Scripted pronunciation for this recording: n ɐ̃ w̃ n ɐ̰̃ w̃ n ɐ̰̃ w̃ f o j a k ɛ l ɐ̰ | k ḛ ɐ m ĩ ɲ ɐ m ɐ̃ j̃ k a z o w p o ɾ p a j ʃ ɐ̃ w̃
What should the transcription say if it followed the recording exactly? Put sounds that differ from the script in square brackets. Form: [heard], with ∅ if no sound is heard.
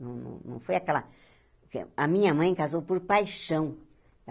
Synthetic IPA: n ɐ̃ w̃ n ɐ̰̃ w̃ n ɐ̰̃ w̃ f o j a k ɛ l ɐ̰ | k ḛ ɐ m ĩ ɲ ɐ m ɐ̃ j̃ k a z o w p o ɾ p a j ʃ ɐ̃ w̃